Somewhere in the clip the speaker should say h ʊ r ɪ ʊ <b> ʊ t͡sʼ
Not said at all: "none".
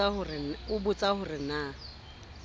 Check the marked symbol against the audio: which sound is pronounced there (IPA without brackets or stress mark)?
b